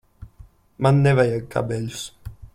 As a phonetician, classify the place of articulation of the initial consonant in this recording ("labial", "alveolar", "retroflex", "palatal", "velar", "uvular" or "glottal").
labial